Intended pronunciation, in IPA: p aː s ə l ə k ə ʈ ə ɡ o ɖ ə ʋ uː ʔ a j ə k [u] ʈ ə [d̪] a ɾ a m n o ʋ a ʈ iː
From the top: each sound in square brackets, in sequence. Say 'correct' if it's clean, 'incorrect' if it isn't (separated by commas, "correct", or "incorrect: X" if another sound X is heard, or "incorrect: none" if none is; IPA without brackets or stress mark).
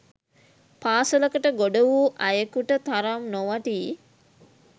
correct, incorrect: t̪